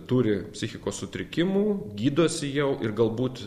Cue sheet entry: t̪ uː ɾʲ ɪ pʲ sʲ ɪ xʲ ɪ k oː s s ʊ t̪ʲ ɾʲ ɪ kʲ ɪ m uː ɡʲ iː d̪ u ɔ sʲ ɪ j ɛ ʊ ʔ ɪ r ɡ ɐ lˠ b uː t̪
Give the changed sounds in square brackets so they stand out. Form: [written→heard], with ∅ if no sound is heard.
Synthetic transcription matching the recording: t̪ uː ɾʲ ɪ pʲ sʲ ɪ xʲ ɪ k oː s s ʊ t̪ʲ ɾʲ ɪ kʲ ɪ m uː ɡʲ iː d̪ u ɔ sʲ ɪ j ɛ ʊ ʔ ɪ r ɡ ɐ lˠ b uː t̪